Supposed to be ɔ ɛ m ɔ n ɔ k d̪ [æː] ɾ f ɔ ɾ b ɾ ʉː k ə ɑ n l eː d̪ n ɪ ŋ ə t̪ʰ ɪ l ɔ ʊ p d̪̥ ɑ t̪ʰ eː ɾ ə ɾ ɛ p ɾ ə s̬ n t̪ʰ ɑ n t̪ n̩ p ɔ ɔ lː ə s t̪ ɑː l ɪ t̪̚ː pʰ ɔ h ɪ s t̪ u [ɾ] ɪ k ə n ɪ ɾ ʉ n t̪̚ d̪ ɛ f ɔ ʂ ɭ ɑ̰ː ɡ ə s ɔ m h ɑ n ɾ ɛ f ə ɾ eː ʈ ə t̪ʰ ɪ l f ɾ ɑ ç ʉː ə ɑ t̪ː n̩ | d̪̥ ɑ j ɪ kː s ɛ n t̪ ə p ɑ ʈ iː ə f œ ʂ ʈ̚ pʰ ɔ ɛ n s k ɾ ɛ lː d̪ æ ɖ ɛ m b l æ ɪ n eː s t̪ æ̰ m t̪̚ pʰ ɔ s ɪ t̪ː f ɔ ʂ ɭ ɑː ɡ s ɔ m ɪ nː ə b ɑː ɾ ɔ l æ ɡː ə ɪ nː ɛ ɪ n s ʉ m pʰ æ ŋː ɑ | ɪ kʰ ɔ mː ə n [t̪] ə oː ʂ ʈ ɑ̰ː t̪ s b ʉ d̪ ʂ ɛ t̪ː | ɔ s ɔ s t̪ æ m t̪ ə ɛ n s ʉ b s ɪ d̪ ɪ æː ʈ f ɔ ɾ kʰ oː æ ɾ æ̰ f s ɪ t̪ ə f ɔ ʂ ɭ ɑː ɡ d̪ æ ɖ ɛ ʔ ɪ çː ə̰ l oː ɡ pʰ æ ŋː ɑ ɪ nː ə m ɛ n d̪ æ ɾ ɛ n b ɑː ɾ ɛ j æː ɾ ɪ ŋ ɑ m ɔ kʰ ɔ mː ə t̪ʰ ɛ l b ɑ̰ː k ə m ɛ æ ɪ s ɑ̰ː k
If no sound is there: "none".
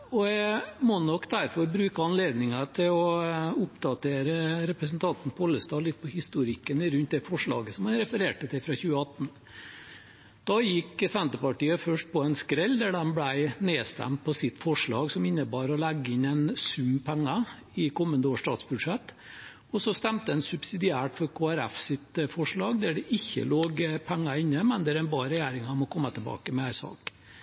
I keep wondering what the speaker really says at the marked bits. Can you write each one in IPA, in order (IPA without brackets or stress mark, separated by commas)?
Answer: æ, ɾ, d̪